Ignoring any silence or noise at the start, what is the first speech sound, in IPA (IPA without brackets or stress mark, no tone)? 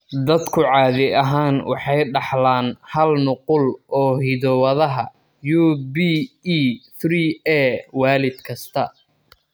d̪